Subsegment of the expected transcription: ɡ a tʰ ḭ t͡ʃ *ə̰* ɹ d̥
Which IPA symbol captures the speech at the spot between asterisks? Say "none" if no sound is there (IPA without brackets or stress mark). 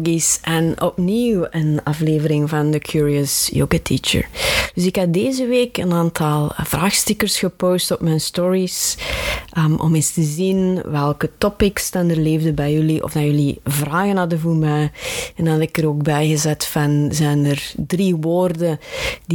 ə̰